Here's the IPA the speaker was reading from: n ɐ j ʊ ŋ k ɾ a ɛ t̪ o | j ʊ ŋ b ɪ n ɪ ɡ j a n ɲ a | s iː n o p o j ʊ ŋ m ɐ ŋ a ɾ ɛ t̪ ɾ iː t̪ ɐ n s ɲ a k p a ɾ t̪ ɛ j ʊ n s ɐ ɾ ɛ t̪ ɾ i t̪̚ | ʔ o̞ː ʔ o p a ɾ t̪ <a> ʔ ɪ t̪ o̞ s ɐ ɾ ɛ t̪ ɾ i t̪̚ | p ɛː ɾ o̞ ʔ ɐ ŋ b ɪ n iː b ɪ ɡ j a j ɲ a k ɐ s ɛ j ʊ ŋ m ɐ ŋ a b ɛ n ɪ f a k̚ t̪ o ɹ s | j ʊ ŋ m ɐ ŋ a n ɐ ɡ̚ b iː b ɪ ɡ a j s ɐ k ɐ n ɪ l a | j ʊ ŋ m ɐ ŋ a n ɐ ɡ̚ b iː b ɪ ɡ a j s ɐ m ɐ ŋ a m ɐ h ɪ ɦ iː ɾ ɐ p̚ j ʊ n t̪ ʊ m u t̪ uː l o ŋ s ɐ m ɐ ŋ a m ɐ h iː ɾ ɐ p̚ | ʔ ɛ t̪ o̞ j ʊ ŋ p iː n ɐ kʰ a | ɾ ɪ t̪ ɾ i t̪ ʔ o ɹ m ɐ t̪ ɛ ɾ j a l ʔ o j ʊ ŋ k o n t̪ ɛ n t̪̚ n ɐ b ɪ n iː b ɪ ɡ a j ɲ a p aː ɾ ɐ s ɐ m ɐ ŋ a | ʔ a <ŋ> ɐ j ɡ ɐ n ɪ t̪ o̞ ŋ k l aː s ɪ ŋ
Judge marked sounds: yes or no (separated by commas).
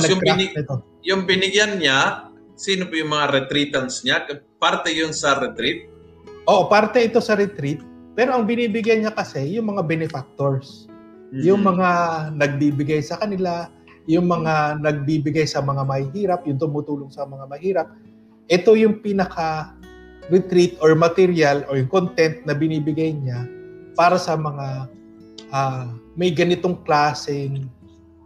no, no